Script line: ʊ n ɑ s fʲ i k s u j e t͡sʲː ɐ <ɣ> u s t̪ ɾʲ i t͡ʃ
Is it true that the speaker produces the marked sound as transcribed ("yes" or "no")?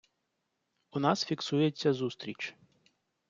no